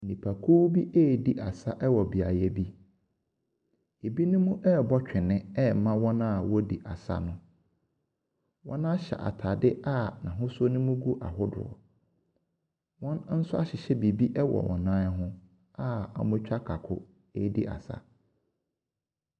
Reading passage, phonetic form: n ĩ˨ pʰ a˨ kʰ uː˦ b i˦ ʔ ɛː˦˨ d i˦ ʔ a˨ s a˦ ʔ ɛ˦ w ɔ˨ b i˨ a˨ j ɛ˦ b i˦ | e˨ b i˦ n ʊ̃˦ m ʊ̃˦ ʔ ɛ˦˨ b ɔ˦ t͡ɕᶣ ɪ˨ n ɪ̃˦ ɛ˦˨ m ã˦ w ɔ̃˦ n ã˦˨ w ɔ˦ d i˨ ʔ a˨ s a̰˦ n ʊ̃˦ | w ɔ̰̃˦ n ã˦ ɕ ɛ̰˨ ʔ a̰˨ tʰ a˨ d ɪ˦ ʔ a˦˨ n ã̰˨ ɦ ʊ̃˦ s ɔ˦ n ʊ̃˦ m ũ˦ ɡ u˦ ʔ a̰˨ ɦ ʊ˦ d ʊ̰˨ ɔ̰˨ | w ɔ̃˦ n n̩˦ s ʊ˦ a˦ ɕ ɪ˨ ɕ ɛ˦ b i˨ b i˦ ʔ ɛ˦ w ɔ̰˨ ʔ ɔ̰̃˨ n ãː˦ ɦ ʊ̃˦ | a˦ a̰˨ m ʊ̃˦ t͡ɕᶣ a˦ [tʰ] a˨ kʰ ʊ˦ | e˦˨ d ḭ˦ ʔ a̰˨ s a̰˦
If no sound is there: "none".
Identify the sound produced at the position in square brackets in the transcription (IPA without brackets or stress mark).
kʰ